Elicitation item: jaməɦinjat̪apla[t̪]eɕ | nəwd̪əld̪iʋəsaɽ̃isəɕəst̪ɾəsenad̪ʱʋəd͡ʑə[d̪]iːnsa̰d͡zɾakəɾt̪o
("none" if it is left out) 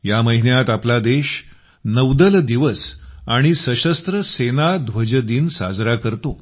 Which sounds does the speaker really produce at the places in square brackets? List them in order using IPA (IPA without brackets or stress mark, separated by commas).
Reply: d̪, d̪